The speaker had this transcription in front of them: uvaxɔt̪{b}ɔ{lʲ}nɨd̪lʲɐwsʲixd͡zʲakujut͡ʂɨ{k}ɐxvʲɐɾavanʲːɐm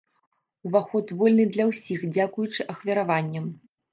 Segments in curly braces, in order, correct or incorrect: incorrect, correct, incorrect

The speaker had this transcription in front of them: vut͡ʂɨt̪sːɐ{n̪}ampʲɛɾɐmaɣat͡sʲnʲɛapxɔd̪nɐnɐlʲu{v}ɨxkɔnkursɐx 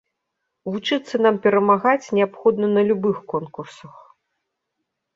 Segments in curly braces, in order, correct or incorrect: correct, incorrect

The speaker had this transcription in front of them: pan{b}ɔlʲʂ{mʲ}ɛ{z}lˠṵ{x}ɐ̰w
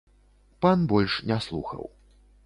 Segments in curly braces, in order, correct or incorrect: correct, incorrect, incorrect, correct

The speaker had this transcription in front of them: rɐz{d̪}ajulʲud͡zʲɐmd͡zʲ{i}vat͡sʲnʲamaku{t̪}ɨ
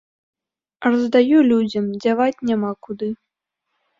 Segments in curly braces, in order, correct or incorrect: correct, incorrect, incorrect

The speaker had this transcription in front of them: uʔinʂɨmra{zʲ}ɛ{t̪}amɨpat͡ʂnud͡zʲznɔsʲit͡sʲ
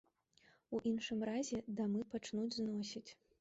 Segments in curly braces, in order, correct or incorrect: correct, incorrect

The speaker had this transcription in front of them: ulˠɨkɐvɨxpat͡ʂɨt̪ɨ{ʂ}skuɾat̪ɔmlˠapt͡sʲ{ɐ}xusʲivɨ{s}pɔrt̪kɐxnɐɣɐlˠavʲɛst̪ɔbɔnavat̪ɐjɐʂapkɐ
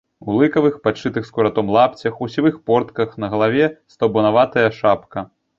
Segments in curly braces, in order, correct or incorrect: incorrect, correct, incorrect

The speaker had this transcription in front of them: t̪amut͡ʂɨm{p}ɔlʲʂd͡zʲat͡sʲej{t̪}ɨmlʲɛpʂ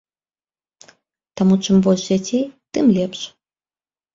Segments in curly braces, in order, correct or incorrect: incorrect, correct

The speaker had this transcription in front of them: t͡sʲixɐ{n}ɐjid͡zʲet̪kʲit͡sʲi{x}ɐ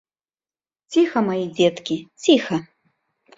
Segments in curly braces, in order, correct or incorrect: incorrect, correct

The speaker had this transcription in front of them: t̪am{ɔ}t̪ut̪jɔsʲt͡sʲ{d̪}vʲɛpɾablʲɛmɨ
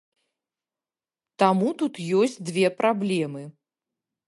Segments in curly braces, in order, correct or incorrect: incorrect, correct

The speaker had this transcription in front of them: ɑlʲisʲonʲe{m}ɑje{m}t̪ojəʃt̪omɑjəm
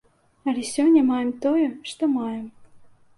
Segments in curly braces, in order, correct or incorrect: correct, correct

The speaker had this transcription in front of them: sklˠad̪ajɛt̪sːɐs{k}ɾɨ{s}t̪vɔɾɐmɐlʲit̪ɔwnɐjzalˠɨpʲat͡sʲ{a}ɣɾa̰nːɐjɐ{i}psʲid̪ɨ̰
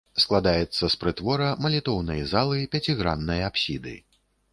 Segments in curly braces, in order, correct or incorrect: incorrect, incorrect, incorrect, incorrect

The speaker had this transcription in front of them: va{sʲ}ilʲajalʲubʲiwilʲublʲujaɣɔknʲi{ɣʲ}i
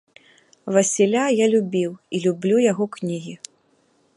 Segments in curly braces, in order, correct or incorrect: correct, correct

